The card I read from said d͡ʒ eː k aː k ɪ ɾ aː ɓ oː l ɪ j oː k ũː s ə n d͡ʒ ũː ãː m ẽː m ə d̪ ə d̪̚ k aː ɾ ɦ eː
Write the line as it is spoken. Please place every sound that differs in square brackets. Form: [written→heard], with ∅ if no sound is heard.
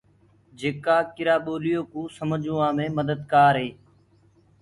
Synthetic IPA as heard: d͡ʒ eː k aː k ɪ ɾ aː ɓ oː l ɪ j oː k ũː s ə [n→m] d͡ʒ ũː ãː m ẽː m ə d̪ ə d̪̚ k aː ɾ ɦ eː